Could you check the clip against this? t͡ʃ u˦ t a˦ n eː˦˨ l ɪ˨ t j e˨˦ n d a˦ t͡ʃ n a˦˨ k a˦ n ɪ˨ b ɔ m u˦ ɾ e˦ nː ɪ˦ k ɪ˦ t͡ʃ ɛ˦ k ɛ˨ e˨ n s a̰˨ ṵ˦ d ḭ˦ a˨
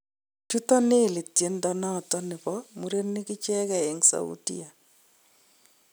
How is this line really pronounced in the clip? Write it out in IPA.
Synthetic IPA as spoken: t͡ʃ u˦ t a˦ n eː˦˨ l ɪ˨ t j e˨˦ n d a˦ n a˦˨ t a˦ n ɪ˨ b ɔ m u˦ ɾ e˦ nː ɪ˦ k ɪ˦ t͡ʃ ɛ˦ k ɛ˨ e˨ ŋ s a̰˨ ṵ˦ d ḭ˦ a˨